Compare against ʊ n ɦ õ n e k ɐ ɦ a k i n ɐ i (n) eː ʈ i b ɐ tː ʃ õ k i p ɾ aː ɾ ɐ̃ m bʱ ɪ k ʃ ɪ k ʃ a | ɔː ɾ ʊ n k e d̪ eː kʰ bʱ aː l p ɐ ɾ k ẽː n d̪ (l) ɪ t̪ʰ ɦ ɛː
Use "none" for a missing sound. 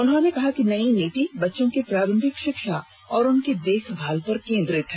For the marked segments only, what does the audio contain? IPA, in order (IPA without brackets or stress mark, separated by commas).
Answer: n, ɾ